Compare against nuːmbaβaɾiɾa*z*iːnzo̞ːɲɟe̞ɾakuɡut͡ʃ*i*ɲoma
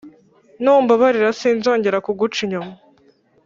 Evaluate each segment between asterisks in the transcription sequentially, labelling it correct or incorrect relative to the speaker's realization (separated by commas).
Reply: incorrect, correct